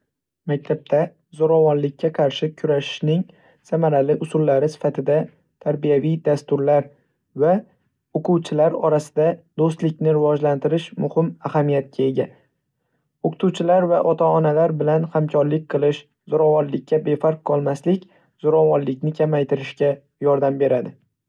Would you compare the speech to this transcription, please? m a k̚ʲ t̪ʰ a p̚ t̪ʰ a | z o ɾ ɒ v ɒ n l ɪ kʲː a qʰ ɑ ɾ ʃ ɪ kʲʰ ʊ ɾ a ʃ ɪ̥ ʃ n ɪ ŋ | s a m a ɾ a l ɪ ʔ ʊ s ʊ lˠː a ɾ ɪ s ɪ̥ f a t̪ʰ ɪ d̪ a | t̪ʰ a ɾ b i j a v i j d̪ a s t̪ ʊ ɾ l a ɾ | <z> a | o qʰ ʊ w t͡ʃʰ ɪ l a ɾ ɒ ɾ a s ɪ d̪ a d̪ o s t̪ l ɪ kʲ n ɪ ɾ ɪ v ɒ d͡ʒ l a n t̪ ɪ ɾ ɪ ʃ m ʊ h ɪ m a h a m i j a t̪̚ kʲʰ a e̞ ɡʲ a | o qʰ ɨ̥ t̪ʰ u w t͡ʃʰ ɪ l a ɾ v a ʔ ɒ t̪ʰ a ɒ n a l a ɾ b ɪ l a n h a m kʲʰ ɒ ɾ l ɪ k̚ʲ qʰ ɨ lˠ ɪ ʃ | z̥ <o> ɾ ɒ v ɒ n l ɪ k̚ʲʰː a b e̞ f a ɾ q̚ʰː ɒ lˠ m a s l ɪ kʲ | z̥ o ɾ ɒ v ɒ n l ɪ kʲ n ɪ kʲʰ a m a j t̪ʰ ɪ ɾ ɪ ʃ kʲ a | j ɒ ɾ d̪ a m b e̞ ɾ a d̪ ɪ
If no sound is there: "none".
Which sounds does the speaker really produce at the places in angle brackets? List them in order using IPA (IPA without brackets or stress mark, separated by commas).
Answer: v, o